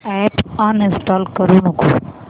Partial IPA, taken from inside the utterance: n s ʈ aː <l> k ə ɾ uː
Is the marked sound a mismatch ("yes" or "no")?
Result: no